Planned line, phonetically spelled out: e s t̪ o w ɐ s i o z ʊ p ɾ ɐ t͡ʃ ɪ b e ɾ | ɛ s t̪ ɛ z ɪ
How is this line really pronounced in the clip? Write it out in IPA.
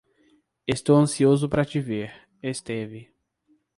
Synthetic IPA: e s t̪ o w ɐ̃ s i o z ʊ p ɾ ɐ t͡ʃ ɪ v e ɾ | e s t̪ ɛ v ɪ